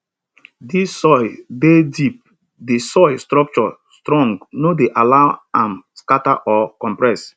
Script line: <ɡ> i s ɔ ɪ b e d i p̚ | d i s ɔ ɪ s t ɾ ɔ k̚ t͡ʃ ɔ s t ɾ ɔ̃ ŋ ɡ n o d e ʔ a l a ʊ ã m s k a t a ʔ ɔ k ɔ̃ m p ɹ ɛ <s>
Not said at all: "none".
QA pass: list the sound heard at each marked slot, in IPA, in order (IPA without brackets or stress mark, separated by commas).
d, s